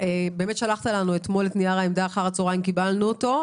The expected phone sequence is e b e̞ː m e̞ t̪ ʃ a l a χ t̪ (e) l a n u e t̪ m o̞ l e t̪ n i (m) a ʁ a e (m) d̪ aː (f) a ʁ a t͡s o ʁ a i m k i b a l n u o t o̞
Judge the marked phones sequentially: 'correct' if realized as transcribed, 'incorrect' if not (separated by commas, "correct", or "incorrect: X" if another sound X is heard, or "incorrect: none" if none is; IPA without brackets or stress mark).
incorrect: a, incorrect: none, correct, incorrect: χ